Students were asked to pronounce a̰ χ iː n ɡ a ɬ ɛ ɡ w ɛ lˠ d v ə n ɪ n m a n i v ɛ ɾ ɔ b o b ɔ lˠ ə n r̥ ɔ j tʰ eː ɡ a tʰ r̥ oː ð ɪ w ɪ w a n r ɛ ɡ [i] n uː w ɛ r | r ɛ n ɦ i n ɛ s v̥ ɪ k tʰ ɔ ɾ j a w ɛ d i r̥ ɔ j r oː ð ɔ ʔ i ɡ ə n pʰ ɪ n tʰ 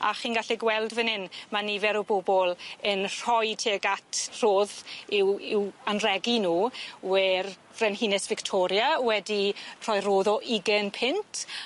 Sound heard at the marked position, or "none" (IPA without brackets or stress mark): i